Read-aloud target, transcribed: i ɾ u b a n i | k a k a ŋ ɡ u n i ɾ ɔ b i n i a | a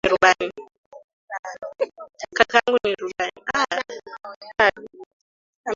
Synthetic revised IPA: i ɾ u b a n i | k a k a ŋ ɡ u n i ɾ u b a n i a | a